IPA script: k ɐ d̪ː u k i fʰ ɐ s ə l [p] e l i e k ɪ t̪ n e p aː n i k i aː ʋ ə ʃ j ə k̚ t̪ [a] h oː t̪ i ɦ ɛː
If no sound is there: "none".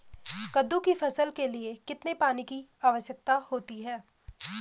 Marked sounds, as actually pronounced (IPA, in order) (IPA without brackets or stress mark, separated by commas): k, a